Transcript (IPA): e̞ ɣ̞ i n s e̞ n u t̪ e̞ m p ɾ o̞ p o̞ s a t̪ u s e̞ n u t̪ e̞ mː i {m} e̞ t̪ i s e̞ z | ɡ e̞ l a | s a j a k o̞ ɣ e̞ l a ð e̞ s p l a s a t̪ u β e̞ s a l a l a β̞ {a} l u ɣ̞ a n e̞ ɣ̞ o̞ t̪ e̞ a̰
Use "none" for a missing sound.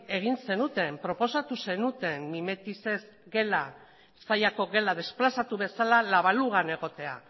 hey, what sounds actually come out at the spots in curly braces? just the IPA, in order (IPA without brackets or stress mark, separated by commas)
m, a